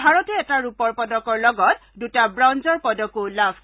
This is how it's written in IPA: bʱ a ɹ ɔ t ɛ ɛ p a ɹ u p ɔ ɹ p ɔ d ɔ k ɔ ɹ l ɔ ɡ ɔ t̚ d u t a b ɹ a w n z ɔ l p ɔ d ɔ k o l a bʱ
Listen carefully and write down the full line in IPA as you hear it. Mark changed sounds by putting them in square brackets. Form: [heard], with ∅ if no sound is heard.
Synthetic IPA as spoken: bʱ a ɹ ɔ t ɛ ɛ [t] a ɹ u p ɔ ɹ p ɔ d ɔ k ɔ ɹ l ɔ ɡ ɔ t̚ d u t a b ɹ a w n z ɔ [ɹ] p ɔ d ɔ k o l a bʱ

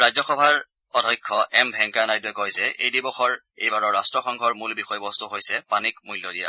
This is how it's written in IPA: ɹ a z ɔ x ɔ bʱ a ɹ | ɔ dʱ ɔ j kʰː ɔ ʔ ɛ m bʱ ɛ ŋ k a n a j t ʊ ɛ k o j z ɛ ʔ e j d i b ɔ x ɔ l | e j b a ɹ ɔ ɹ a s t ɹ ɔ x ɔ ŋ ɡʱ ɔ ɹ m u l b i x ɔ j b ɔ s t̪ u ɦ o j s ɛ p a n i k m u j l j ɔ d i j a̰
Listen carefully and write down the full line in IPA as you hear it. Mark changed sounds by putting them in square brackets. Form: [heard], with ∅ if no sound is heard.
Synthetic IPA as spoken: ɹ a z ɔ x ɔ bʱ a ɹ | ɔ dʱ ɔ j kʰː ɔ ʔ ɛ m bʱ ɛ ŋ k a n a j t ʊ ɛ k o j z ɛ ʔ e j d i b ɔ x ɔ [ɹ] | e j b a ɹ ɔ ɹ a s t ɹ ɔ x ɔ ŋ ɡʱ ɔ ɹ m u l b i x ɔ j b ɔ s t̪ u ɦ o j s ɛ p a n i k m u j l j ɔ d i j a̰

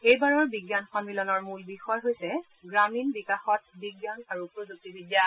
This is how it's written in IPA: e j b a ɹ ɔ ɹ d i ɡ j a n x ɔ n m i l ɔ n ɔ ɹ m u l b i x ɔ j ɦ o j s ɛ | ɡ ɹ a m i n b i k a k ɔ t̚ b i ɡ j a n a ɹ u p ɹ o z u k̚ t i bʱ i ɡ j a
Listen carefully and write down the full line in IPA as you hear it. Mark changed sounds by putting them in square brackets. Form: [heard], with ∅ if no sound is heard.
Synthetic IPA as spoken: e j b a ɹ ɔ ɹ [b] i ɡ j a n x ɔ n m i l ɔ n ɔ ɹ m u l b i x ɔ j ɦ o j s ɛ | ɡ ɹ a m i n b i k a [x] ɔ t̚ b i ɡ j a n a ɹ u p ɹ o z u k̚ t i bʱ i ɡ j a

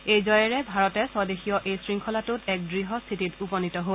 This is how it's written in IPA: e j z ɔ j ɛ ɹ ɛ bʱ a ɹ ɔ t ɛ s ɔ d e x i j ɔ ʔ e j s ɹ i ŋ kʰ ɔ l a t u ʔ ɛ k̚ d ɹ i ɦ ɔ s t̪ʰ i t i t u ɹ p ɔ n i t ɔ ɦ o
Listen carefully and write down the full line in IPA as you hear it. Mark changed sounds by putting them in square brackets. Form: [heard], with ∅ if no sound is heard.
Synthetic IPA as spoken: e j z ɔ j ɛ ɹ ɛ bʱ a ɹ ɔ t ɛ s ɔ d e x i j ɔ ʔ e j s ɹ i ŋ kʰ ɔ l a t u [t] ɛ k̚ d ɹ i ɦ ɔ s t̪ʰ i t i t u [∅] p ɔ n i t ɔ ɦ o

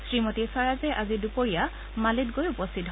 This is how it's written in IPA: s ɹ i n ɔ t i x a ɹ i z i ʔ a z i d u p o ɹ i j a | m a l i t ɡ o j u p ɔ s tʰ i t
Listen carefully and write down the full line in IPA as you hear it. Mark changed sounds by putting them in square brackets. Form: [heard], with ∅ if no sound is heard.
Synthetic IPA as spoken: s ɹ i [m] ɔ t i [s] a ɹ [a] z [ɛ] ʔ a z i d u p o ɹ i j a | m a l i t ɡ o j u p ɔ s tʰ i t

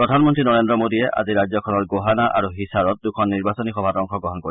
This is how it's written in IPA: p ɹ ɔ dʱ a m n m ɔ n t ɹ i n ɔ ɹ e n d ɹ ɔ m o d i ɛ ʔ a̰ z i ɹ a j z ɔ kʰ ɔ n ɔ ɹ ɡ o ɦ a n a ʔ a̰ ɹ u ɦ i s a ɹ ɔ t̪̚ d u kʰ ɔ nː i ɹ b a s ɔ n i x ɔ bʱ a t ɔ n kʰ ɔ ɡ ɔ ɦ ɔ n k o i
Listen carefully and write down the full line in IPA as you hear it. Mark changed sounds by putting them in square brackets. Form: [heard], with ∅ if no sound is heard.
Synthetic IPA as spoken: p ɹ ɔ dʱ a [∅] n m ɔ n t ɹ i n ɔ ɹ e n d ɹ ɔ m o d i ɛ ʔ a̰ z i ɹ a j z ɔ kʰ ɔ n ɔ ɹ ɡ o ɦ a n a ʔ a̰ ɹ u ɦ i s a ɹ ɔ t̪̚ d u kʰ ɔ nː i ɹ b a s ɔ n i x ɔ bʱ a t ɔ [ŋ] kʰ ɔ ɡ ɔ ɦ ɔ n k o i

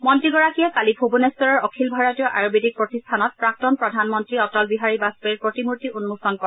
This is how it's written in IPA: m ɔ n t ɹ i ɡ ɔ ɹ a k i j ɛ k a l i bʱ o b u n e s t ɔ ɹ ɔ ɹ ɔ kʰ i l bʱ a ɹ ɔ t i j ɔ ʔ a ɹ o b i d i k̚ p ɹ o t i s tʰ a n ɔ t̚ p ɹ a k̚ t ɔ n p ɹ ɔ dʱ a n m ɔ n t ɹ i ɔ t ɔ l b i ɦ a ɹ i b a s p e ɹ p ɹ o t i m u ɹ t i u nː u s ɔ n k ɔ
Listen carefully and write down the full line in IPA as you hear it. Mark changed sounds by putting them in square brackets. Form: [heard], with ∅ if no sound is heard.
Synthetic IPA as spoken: m ɔ n t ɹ i ɡ ɔ ɹ a k i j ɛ k a l i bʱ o b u n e s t ɔ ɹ ɔ ɹ ɔ kʰ i l bʱ a ɹ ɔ t i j ɔ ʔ a ɹ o b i d i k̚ p ɹ o t i s tʰ a n ɔ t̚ p ɹ a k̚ t ɔ n p ɹ ɔ dʱ a n m ɔ n t ɹ i ɔ t ɔ l b i ɦ a ɹ i b a s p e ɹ p ɹ o t i m u ɹ t i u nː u s ɔ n k ɔ

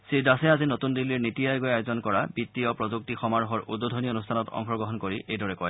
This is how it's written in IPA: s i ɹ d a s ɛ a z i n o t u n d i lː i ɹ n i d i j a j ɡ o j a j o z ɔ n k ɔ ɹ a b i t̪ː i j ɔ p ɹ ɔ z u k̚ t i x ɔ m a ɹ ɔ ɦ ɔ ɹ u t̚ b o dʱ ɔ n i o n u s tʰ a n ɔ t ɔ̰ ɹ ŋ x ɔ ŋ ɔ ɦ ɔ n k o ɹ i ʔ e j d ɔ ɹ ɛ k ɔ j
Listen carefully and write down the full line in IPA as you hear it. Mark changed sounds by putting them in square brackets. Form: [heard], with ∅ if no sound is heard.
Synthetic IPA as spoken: s i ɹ d a s ɛ a z i n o t u n d i lː i ɹ n i [t] i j a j ɡ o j a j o z ɔ n k ɔ ɹ a b i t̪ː i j ɔ p ɹ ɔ z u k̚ t i x ɔ m a ɹ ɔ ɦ ɔ ɹ u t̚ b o dʱ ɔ n i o n u s tʰ a n ɔ t ɔ̰ [∅] ŋ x ɔ [ɡ] ɔ ɦ ɔ n k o ɹ i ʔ e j d ɔ ɹ ɛ k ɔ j

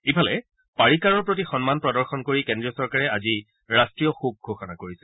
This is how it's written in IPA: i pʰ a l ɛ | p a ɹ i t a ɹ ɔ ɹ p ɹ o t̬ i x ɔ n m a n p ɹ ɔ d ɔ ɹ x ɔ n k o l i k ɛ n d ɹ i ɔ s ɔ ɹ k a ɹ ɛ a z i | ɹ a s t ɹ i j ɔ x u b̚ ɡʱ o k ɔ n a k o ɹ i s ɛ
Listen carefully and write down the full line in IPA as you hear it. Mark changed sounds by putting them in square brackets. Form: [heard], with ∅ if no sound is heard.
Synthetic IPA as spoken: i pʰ a l ɛ | p a ɹ i [k] a ɹ ɔ ɹ p ɹ o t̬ i x ɔ n m a n p ɹ ɔ d ɔ ɹ x ɔ n k o [ɹ] i k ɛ n d ɹ i ɔ s ɔ ɹ k a ɹ ɛ a z i | ɹ a s t ɹ i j ɔ x u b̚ ɡʱ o [x] ɔ n a k o ɹ i s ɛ

